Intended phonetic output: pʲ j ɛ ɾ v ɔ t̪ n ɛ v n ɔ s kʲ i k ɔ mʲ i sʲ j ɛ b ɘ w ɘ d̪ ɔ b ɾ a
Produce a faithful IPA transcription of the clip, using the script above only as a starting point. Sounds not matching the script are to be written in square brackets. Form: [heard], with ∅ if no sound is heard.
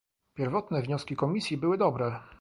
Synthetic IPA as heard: pʲ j ɛ ɾ v ɔ t̪ n ɛ v [ɲ] ɔ s kʲ i k ɔ mʲ i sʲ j [i] b ɘ w ɘ d̪ ɔ b ɾ [ɛ]